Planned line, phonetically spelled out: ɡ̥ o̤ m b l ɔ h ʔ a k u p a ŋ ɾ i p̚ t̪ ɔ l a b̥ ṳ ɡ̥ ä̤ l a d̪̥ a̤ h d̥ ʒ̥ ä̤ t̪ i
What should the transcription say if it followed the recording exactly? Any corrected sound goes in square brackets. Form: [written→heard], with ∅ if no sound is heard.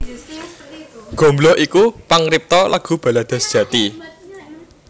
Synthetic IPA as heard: ɡ̥ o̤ m b l ɔ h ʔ [a→i] k u p a ŋ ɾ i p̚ t̪ ɔ l a [b̥→ɡ̥] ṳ [ɡ̥→b̥] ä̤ l a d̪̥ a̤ [h→s] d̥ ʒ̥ ä̤ t̪ i